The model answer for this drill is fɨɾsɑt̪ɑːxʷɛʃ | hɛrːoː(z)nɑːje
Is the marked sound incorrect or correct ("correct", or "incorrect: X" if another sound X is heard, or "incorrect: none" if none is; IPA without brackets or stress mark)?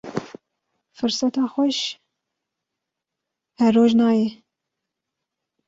incorrect: ʒ